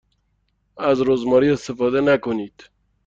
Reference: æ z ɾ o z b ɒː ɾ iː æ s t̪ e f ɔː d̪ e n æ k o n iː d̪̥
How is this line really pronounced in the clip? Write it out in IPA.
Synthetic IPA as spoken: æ z ɾ o z m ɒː ɾ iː e s t̪ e f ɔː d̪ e n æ k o n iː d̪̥